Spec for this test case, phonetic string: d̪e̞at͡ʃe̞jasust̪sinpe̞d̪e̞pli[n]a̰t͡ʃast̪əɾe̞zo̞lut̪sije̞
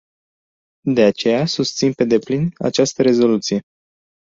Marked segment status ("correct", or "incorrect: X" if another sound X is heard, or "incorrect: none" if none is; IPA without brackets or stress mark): correct